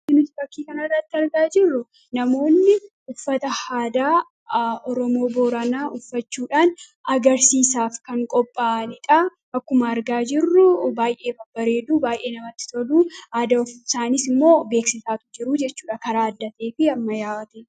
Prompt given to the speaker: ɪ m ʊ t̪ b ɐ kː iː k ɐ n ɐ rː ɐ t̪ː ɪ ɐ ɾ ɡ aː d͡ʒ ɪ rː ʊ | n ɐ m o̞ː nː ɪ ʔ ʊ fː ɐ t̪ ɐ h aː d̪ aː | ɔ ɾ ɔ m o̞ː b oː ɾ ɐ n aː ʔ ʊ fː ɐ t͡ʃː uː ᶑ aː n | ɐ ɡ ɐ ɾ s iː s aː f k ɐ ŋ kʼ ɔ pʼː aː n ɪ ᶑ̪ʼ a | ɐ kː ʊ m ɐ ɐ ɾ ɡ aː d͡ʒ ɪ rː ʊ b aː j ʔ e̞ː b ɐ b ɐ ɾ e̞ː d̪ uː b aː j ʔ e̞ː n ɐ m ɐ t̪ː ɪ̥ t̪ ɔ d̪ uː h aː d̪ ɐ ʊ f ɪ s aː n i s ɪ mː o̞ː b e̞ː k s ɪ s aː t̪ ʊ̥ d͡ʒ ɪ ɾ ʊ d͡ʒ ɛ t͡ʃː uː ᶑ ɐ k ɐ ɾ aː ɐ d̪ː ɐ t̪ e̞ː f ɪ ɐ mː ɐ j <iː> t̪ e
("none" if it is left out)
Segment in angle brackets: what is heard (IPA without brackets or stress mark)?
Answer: aː